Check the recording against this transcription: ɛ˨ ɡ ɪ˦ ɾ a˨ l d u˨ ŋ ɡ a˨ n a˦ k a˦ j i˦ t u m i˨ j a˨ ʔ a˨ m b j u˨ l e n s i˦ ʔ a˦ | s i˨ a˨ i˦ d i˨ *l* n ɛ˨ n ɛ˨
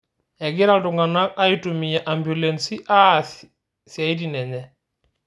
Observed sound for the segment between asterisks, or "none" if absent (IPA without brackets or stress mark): none